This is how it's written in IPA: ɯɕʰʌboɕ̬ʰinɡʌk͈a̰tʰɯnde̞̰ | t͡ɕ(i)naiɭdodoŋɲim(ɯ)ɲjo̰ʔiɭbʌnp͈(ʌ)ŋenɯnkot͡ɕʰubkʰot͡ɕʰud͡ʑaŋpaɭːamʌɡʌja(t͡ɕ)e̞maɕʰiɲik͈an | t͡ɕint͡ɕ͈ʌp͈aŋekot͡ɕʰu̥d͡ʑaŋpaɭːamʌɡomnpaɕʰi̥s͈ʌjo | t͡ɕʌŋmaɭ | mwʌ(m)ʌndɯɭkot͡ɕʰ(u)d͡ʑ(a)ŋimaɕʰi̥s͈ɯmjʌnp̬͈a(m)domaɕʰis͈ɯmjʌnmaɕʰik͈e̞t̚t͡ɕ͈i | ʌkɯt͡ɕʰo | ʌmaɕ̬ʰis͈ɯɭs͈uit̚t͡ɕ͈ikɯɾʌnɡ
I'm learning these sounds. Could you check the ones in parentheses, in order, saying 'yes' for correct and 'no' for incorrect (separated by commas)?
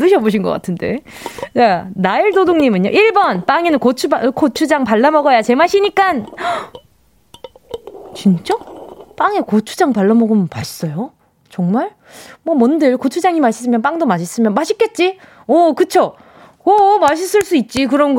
no, yes, no, yes, yes, yes, yes, no